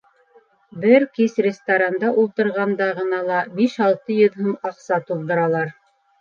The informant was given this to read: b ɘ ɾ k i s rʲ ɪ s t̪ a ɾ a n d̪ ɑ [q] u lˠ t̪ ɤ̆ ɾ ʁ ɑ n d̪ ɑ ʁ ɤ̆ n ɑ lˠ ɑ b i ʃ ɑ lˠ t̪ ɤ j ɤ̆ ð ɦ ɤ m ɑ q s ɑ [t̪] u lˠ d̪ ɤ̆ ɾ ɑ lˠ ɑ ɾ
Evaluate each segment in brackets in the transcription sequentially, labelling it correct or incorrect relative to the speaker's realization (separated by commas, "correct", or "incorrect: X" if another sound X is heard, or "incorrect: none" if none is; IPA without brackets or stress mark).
incorrect: ʔ, correct